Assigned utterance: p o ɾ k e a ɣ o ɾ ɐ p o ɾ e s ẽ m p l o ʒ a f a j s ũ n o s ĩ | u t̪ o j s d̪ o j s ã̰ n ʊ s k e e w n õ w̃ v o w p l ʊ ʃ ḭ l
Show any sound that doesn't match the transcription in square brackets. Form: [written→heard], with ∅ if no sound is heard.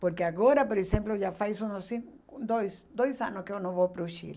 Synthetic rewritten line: p o ɾ k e a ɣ o ɾ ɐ p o ɾ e s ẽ m p l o ʒ a f a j s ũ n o s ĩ | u [t̪→d̪] o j s d̪ o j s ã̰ n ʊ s k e e w n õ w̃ v o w p [l→ɾ] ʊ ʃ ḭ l